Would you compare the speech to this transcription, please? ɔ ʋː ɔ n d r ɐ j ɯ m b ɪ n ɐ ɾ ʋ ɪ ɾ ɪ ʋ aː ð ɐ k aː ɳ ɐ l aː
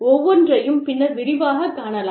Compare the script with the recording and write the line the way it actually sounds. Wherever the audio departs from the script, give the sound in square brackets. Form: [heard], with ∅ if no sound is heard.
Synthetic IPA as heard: ɔ ʋː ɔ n d r ɐ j ɯ m [p] ɪ [nː] ɐ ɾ ʋ ɪ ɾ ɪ ʋ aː [ɣ] ɐ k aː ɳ ɐ l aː